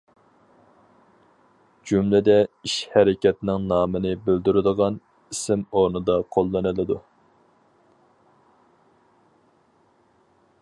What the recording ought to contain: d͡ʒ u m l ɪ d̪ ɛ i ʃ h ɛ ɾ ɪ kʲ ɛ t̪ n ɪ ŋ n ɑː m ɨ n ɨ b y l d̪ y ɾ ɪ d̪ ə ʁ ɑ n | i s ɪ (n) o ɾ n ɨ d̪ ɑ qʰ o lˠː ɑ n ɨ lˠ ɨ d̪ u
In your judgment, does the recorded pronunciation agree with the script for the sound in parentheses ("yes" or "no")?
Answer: no